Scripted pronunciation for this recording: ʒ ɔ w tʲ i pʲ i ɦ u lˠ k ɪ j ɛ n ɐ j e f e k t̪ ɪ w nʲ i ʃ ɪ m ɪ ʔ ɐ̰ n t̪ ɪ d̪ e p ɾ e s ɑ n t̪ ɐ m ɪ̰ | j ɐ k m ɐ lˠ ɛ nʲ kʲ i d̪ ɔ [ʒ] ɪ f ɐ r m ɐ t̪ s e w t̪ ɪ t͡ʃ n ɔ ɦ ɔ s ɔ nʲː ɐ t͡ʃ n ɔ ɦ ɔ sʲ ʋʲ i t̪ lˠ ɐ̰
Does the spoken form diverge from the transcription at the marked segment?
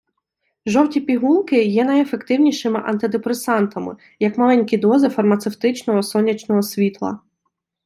yes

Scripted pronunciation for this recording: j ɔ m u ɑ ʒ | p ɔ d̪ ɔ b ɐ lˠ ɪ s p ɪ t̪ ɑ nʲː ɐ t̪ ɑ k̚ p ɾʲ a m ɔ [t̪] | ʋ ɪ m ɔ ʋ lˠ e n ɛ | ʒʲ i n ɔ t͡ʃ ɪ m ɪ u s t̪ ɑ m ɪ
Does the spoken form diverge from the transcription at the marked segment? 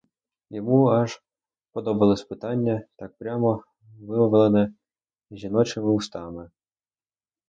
yes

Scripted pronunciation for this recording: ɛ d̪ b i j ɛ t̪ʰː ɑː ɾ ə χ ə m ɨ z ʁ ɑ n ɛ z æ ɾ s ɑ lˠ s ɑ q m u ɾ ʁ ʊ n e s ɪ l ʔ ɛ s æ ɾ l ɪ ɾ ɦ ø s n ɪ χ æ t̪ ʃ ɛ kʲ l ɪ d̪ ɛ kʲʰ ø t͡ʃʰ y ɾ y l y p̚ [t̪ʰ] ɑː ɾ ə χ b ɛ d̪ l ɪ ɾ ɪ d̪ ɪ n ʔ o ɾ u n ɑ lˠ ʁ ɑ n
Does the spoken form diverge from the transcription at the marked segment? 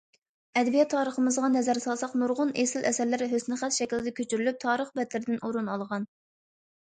no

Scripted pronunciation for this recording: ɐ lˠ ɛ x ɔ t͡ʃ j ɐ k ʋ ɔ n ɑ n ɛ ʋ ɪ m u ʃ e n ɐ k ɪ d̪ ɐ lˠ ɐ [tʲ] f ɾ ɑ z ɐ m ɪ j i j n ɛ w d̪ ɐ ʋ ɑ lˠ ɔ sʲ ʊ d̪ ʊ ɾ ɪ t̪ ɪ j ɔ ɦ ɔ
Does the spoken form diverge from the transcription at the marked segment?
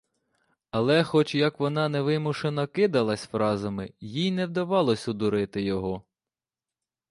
yes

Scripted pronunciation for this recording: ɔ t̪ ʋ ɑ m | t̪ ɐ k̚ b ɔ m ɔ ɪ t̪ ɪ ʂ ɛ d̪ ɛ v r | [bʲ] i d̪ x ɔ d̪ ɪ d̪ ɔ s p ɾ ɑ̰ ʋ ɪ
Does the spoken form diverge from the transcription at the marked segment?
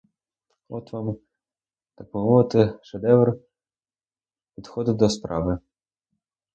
yes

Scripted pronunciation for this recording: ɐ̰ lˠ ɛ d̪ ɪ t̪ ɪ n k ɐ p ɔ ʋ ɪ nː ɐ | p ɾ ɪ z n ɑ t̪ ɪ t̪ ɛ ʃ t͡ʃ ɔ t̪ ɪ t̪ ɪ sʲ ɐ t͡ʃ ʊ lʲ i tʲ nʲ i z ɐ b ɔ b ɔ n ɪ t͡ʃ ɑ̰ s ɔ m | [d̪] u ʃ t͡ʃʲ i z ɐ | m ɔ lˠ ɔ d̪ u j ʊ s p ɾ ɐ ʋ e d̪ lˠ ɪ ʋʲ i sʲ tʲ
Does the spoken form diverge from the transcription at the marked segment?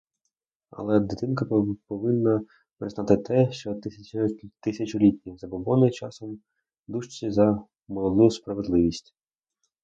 no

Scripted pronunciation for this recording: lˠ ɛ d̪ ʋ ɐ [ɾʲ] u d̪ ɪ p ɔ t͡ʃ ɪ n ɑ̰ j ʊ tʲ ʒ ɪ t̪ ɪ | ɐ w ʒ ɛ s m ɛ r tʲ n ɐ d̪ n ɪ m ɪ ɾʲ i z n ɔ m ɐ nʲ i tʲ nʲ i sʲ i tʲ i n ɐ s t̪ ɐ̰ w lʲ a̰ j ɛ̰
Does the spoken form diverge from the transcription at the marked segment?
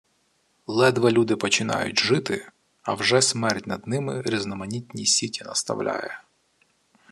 yes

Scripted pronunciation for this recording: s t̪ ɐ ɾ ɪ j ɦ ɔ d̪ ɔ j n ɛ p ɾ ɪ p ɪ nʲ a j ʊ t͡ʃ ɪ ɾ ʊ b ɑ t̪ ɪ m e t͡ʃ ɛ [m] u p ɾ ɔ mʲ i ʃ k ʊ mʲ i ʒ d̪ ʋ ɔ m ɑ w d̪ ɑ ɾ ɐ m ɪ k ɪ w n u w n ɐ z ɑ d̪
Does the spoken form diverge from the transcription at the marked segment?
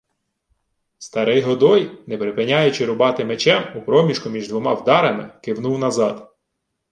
no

